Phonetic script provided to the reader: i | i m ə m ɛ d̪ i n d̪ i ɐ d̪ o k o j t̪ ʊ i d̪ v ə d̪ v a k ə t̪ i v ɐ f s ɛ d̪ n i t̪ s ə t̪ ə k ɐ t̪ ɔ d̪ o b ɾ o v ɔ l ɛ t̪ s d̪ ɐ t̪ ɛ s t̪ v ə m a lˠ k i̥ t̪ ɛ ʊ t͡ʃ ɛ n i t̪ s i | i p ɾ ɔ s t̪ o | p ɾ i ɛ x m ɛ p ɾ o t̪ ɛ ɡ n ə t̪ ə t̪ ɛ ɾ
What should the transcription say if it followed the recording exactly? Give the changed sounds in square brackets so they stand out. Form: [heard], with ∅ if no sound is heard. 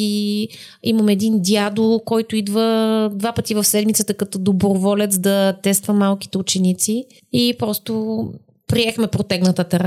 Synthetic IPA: i | i m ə m ɛ d̪ i n d̪ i [a] d̪ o k [ɔ] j t̪ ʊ i d̪ v ə d̪ v a [p] ə t̪ i v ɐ f s ɛ d̪ [m] i t̪ s ə t̪ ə k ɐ t̪ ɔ d̪ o b ɾ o v ɔ l ɛ t̪ s d̪ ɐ t̪ ɛ s t̪ v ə m a lˠ k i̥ t̪ ɛ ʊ t͡ʃ ɛ n i t̪ s i | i p ɾ ɔ s t̪ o | p ɾ i ɛ x m ɛ p ɾ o t̪ ɛ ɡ n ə t̪ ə t̪ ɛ ɾ